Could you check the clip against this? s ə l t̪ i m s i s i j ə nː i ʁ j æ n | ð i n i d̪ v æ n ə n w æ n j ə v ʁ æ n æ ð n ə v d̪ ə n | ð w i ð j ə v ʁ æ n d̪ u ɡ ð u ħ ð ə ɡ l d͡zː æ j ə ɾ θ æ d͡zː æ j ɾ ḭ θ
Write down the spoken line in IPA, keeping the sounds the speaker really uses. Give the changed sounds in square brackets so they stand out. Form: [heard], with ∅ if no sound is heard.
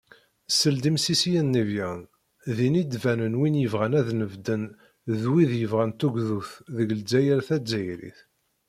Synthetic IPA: s ə l [d̪] i m s i s i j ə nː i [v] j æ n | ð i n i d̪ v æ n ə n w [i] n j ə v ʁ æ n æ ð n ə v d̪ ə n | ð w i ð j ə v ʁ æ n [t̪] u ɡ ð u [θ] ð ə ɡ l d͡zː æ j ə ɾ θ æ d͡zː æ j ɾ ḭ θ